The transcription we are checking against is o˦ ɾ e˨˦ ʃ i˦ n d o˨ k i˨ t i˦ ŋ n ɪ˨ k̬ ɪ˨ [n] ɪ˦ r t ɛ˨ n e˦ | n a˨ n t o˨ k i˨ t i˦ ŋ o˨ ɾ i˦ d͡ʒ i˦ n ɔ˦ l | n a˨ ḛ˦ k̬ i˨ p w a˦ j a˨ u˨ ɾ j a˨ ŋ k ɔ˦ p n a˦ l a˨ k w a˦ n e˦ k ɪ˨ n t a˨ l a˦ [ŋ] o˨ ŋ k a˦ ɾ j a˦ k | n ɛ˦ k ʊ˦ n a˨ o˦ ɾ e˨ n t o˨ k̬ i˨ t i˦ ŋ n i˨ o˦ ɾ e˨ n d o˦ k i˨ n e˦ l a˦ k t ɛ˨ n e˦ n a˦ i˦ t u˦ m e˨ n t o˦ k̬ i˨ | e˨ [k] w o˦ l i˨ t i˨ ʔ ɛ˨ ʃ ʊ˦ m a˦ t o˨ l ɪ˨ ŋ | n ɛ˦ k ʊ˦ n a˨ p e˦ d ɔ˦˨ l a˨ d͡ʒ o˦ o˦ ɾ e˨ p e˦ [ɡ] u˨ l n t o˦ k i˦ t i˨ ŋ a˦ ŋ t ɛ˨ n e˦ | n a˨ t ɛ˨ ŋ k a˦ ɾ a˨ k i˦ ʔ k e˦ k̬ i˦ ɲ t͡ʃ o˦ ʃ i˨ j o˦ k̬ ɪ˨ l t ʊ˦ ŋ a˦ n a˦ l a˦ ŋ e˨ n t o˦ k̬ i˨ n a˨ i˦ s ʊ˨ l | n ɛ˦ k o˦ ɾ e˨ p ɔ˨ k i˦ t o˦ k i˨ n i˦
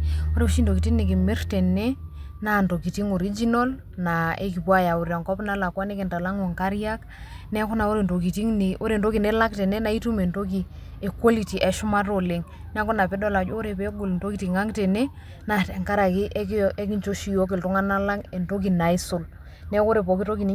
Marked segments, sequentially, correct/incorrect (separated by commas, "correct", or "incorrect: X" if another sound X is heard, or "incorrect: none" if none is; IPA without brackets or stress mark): incorrect: m, correct, correct, correct